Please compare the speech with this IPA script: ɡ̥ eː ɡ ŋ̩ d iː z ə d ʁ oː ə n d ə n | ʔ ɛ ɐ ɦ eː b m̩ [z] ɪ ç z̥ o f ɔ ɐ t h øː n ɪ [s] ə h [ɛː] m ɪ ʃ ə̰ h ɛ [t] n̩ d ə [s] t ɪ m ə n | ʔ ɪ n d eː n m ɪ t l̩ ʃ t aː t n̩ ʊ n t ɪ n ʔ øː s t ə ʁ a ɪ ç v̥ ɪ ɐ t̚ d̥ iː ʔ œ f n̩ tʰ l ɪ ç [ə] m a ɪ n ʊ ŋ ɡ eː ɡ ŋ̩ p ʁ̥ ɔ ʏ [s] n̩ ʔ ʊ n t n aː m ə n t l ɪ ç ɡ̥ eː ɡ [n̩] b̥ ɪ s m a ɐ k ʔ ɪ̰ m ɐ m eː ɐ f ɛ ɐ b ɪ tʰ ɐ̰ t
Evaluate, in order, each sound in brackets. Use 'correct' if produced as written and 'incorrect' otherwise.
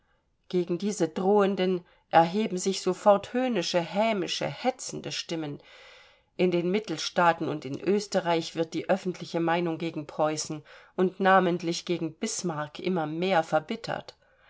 correct, incorrect: ʃ, correct, incorrect: t͡s, incorrect: ʃ, correct, correct, incorrect: ŋ̩

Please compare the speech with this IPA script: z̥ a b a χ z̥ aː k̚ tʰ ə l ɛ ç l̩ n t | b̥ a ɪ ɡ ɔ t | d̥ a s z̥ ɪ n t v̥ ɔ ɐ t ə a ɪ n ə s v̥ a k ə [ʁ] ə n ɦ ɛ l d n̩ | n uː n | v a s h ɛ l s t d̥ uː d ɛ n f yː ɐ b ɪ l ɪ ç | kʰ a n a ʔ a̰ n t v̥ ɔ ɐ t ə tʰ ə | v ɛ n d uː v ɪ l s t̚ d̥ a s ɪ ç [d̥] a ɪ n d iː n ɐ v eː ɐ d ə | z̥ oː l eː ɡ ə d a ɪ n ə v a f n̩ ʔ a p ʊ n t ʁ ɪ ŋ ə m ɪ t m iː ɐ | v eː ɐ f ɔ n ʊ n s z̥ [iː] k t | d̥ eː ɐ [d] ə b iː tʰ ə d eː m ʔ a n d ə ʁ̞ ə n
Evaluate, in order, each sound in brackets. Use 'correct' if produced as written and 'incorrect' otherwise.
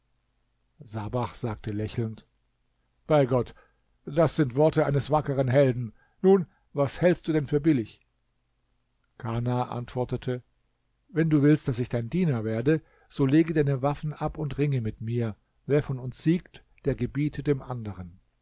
correct, correct, correct, incorrect: ɡ

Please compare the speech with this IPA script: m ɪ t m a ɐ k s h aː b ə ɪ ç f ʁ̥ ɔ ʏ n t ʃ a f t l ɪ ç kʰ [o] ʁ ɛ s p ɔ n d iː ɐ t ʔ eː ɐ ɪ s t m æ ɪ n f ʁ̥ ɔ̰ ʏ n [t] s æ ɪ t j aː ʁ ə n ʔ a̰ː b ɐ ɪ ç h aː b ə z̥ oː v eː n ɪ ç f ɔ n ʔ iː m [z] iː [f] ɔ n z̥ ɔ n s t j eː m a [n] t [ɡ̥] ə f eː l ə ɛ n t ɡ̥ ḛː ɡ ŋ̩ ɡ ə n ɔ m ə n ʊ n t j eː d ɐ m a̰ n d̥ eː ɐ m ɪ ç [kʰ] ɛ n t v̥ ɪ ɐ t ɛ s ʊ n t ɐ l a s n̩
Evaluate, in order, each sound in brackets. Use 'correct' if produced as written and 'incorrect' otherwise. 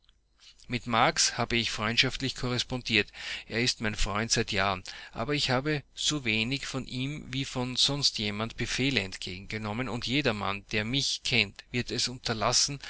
incorrect: ɔ, correct, incorrect: v, correct, correct, incorrect: b̥, correct

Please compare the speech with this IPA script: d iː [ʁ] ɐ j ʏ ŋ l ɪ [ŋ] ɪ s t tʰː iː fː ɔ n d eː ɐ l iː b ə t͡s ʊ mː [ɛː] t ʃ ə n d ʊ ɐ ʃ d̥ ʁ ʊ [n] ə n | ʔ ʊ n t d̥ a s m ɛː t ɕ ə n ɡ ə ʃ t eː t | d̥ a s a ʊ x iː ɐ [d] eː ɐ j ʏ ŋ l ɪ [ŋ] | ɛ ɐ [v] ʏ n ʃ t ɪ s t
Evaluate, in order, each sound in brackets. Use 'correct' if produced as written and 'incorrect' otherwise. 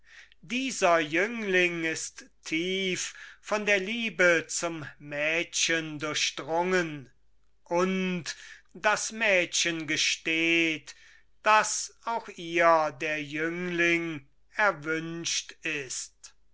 incorrect: z, correct, correct, incorrect: ŋ, correct, correct, correct

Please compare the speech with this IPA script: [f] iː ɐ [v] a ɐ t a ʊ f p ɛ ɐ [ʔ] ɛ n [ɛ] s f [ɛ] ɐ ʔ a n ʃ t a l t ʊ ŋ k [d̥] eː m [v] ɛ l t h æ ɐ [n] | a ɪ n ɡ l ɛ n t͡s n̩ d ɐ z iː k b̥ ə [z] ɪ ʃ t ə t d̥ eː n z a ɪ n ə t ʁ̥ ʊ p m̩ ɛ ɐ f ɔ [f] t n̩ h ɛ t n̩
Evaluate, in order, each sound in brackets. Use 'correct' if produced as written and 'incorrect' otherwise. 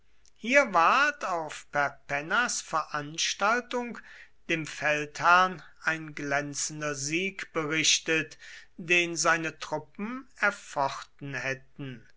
incorrect: h, correct, incorrect: p, incorrect: a, correct, correct, incorrect: f, correct, incorrect: ʁ, incorrect: χ

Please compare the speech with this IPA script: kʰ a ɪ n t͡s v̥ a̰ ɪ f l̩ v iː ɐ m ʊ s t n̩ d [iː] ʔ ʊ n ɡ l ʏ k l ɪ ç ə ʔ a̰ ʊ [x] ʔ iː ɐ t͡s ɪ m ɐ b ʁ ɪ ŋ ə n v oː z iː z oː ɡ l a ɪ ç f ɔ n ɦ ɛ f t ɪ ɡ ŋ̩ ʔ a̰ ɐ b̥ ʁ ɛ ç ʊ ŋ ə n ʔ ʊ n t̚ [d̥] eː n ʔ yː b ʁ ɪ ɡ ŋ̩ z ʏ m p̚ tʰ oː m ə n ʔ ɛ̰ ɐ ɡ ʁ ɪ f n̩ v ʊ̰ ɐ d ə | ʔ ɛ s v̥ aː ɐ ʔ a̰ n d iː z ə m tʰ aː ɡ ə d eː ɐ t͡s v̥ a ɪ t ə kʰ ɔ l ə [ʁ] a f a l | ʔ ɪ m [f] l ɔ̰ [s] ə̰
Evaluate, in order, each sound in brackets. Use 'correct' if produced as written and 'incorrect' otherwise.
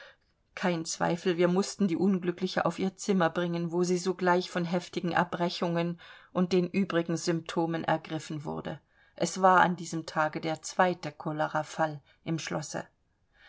correct, incorrect: f, correct, correct, incorrect: ʃ, correct

